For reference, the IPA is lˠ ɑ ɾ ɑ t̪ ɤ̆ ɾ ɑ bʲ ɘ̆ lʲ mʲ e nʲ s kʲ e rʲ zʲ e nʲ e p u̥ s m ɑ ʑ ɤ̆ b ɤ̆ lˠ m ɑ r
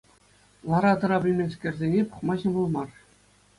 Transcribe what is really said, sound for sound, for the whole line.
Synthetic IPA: lˠ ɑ ɾ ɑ t̪ ɤ̆ ɾ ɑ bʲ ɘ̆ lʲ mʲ e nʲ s kʲ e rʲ zʲ e nʲ e p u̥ χ m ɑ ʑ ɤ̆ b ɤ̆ lˠ m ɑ r